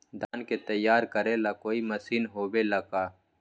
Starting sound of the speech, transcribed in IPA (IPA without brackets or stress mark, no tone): d̪